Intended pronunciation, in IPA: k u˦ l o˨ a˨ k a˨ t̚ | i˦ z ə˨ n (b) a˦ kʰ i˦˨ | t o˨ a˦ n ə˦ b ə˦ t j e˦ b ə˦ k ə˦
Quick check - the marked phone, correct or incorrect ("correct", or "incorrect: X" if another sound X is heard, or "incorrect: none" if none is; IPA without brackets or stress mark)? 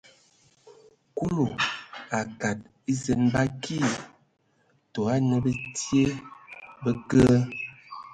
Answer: correct